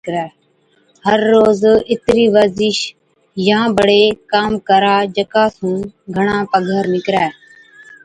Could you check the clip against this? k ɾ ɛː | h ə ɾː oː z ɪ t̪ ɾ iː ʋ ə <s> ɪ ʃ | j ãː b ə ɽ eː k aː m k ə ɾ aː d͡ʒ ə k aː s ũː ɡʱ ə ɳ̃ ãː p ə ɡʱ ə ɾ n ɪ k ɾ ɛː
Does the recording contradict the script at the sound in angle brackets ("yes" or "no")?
yes